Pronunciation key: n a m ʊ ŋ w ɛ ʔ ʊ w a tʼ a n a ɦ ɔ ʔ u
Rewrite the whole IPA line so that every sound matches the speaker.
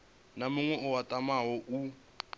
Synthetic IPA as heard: n a m ʊ ŋ w ɛ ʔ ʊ w a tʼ a m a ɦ ɔ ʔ u